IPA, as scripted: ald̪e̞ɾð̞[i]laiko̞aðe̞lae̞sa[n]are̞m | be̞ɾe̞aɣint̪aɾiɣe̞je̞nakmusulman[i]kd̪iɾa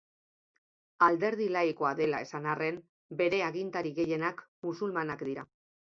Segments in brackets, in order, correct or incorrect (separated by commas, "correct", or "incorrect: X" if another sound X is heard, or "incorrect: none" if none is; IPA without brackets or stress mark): correct, correct, incorrect: a